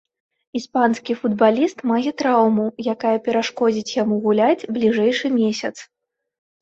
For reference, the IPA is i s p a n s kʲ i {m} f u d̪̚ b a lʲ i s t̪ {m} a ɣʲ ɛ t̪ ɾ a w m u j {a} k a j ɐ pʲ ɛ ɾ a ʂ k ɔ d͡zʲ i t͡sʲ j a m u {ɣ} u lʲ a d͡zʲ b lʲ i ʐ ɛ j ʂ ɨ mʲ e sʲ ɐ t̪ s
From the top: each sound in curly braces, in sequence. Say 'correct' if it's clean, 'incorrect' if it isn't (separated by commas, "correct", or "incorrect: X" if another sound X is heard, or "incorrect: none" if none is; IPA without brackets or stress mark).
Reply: incorrect: none, correct, correct, correct